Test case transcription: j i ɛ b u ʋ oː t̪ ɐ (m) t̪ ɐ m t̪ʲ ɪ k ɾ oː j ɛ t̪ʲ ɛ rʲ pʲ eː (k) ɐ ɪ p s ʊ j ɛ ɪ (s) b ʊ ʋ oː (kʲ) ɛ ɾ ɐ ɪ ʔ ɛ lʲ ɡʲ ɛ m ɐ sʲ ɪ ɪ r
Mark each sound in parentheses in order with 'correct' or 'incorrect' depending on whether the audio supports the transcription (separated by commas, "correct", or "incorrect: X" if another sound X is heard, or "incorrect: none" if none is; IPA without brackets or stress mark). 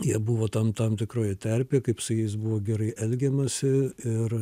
correct, correct, correct, incorrect: ɡʲ